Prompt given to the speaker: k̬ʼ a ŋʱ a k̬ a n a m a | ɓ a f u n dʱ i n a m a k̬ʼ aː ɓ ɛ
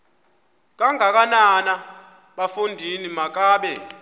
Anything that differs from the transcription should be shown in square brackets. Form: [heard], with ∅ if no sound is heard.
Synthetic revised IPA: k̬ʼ a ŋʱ a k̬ a n a [n] a | ɓ a f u n dʱ i n [i] m a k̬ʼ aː ɓ ɛ